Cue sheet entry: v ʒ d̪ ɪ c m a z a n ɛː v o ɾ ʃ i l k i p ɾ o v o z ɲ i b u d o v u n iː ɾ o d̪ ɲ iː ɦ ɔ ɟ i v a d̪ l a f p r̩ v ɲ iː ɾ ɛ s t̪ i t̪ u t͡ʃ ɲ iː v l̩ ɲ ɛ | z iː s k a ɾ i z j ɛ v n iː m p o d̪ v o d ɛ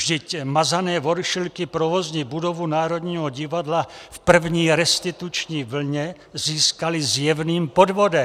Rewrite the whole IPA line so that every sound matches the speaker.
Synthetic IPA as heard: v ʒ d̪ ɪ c m a z a n ɛː v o ɾ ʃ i l k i p ɾ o v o z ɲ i b u d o v u n aː ɾ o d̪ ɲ iː ɦ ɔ ɟ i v a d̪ l a f p r̩ v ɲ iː ɾ ɛ s t̪ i t̪ u t͡ʃ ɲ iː v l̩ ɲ ɛ | z iː s k a l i z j ɛ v n iː m p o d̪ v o d ɛ